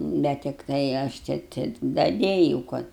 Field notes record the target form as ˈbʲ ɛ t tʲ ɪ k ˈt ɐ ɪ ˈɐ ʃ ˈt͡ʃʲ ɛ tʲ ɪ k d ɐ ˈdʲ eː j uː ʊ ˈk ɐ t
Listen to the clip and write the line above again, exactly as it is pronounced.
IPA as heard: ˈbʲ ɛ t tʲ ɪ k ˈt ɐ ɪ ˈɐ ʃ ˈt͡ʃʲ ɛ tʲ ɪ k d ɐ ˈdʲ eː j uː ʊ ˈk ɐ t